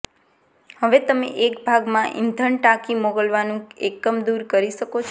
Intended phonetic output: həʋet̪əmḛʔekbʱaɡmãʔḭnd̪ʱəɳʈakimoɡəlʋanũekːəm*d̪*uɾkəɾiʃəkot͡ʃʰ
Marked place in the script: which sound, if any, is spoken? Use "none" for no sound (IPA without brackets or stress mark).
d̪